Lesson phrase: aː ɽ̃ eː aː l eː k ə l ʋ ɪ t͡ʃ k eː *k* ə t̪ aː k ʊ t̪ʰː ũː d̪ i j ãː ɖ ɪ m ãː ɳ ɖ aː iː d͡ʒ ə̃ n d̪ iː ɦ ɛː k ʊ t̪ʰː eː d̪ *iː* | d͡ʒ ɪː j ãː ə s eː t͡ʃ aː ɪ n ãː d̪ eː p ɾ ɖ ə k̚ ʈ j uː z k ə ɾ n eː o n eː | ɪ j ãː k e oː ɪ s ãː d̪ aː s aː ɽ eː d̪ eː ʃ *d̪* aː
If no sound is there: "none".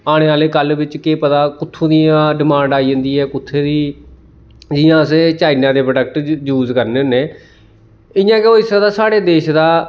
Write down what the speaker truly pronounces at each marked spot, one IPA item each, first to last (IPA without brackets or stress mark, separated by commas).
p, iː, d̪